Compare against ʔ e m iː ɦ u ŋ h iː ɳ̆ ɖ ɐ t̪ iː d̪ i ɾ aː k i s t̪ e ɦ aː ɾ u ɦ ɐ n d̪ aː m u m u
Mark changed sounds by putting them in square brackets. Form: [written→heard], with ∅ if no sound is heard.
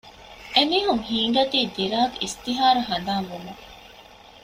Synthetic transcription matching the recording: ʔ e m iː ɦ u ŋ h iː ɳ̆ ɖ ɐ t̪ iː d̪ i ɾ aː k i s t̪ [e→i] ɦ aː ɾ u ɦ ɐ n d̪ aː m u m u